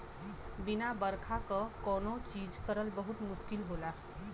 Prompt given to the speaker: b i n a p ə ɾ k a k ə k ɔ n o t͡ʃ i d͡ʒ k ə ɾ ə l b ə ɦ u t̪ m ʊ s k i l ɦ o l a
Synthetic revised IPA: b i n a b ə ɾ kʰ a k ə k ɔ n o t͡ʃ i d͡ʒ k ə ɾ ə l b ə ɦ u t̪ m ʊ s k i l ɦ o l a